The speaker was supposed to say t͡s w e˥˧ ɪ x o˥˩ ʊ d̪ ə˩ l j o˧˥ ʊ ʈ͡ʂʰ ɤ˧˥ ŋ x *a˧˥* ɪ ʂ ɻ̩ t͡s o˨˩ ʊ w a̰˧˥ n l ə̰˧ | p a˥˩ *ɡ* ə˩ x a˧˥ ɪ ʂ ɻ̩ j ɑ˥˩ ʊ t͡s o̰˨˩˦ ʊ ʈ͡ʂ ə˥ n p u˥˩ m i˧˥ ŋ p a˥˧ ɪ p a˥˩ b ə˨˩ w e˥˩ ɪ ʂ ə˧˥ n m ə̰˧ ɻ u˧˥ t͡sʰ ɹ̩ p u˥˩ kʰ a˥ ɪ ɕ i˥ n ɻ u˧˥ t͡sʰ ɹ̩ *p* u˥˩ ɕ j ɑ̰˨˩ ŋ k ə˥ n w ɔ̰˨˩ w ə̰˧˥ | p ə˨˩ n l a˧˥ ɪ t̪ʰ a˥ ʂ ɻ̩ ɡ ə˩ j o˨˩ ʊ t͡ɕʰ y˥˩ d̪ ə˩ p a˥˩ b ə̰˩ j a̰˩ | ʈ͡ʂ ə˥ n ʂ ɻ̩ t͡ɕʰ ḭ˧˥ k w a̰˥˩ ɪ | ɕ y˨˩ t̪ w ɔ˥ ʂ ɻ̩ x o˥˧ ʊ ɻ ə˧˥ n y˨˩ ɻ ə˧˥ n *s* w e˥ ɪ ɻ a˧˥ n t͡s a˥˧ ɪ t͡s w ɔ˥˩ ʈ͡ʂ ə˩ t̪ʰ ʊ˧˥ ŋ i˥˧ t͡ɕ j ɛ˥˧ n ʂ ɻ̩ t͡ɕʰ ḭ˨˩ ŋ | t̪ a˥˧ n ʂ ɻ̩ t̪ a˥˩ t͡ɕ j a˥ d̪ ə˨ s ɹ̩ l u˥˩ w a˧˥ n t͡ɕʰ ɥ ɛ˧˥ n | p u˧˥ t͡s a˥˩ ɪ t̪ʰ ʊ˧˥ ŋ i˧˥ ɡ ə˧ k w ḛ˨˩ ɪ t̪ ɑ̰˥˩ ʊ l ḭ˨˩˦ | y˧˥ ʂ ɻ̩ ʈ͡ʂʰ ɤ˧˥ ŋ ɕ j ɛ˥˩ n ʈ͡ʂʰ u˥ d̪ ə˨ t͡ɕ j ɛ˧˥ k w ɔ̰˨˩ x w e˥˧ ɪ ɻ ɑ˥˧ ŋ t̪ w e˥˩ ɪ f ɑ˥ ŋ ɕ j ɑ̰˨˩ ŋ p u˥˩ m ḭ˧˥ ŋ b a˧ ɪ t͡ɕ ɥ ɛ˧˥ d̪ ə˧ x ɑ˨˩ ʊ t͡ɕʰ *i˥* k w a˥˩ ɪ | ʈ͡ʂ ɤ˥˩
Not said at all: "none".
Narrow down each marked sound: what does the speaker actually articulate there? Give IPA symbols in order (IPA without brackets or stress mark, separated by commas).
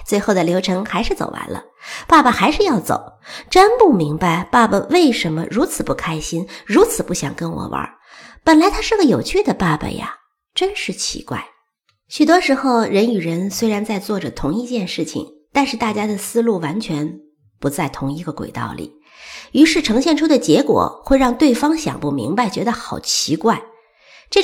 a˧˥, b, p, s, i˧˥